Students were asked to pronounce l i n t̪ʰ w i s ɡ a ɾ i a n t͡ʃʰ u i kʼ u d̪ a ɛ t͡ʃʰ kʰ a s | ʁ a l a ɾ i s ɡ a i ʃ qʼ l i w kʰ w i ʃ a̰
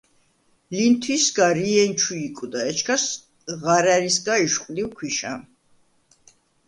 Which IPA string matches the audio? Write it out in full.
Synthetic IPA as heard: l i n t̪ʰ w i s ɡ a ɾ i ɛ n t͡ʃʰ u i kʼ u d̪ a ɛ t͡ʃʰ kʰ a s | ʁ a ɾ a ɾ i s ɡ a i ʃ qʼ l i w kʰ w i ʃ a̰